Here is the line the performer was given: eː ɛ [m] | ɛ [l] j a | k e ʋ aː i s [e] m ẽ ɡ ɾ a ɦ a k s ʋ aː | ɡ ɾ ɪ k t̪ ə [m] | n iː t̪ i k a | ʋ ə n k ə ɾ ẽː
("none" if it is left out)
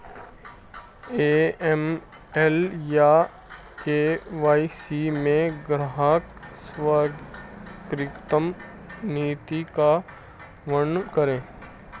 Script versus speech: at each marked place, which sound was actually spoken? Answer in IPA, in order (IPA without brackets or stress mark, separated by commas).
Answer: m, l, i, m